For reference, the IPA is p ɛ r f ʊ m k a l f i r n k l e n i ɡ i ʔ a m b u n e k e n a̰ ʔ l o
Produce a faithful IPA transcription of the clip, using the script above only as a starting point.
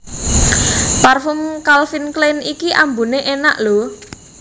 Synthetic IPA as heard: p a r f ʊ m k a l f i n k l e n i k i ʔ a m b u n e ʔ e n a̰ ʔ l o